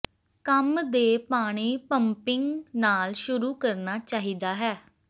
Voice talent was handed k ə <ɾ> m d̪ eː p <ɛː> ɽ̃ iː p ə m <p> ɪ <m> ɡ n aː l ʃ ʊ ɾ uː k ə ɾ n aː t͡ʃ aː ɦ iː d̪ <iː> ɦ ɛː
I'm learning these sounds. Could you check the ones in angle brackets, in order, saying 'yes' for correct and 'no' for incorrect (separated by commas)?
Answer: no, no, yes, no, no